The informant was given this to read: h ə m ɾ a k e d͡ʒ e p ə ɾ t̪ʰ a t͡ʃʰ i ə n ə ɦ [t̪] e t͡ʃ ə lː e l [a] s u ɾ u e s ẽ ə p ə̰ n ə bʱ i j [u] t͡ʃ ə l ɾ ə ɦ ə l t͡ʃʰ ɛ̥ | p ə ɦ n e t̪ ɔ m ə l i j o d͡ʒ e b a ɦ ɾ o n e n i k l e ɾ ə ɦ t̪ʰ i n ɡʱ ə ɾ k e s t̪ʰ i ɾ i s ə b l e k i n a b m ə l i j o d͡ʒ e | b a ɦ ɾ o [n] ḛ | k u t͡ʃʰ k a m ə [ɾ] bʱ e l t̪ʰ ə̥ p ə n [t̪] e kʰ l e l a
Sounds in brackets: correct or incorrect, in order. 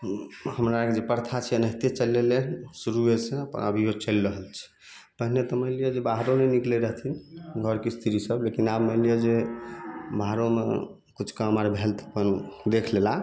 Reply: correct, incorrect, incorrect, incorrect, correct, incorrect

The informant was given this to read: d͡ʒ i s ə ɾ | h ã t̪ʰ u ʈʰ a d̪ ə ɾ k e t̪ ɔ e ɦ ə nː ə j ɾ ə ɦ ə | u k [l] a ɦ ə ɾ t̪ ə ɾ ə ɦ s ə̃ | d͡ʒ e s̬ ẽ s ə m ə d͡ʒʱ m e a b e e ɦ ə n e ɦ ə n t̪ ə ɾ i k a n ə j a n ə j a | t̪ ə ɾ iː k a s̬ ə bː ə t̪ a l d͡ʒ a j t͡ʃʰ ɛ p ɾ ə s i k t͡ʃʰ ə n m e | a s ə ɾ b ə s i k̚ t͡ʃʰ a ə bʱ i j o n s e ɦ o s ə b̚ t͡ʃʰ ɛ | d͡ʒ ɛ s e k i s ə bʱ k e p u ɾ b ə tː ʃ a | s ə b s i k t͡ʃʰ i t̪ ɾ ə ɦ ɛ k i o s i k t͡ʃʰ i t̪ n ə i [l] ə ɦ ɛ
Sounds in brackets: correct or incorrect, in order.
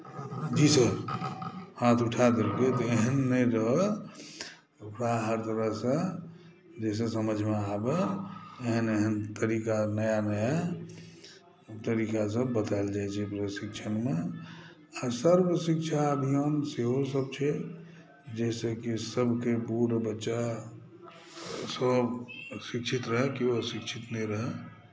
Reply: incorrect, incorrect

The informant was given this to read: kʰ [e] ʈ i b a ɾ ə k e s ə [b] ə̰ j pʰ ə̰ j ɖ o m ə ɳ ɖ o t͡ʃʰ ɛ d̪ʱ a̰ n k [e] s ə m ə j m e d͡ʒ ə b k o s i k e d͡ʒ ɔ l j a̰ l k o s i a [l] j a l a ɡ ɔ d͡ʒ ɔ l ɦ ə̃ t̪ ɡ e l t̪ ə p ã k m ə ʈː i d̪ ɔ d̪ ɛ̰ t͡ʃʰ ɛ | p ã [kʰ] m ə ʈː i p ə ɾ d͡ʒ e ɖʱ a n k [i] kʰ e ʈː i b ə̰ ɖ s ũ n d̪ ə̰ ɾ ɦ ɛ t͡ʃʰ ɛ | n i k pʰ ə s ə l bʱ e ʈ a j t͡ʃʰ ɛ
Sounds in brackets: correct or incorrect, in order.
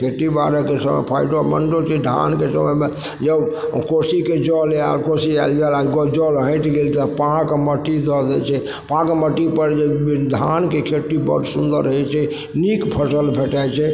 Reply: correct, incorrect, correct, correct, incorrect, incorrect

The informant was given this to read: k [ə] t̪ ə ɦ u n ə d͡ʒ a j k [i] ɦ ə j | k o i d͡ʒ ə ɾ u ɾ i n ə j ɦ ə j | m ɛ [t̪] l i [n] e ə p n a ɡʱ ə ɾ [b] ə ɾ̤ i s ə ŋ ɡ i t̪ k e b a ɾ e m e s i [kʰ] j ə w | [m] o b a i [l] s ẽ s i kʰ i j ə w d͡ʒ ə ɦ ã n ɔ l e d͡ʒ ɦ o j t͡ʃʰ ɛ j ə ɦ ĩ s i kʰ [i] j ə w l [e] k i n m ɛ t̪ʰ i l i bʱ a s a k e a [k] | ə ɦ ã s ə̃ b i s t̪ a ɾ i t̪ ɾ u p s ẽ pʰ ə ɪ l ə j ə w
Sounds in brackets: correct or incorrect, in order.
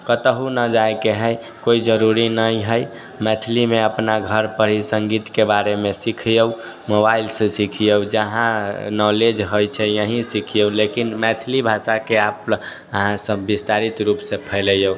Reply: correct, incorrect, incorrect, incorrect, incorrect, correct, correct, correct, correct, correct, incorrect

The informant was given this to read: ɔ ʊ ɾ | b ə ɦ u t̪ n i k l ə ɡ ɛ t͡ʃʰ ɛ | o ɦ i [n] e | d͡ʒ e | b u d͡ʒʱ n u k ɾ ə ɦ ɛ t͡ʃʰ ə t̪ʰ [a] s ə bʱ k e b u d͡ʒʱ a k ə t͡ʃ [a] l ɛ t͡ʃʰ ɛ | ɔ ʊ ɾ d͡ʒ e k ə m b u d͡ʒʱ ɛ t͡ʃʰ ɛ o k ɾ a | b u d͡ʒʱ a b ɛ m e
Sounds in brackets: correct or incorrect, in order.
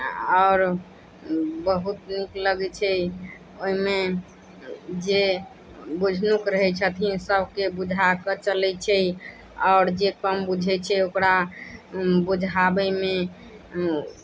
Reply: incorrect, incorrect, incorrect

